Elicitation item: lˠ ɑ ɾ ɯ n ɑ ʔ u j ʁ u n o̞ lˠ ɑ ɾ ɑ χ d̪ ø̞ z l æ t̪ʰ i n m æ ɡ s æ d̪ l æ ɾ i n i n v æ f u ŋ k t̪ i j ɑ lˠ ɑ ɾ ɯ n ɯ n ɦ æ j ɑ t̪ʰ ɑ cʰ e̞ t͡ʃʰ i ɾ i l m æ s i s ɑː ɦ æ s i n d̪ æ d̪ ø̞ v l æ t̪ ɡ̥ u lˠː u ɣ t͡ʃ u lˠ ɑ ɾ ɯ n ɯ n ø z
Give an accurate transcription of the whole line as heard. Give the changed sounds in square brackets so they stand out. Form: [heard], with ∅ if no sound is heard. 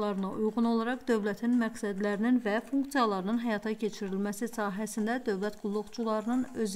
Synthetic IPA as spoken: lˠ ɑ ɾ ɯ n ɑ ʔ u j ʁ u n o̞ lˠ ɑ ɾ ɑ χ d̪ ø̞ [v] l æ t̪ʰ i n m æ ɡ s æ d̪ l æ ɾ i n i n v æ f u ŋ k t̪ i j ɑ lˠ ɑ ɾ ɯ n ɯ n ɦ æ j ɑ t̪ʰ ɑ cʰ e̞ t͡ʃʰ i ɾ i l m æ s i s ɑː ɦ æ s i n d̪ æ d̪ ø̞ v l æ t̪ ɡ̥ u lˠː u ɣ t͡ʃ u lˠ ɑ ɾ ɯ n ɯ n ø z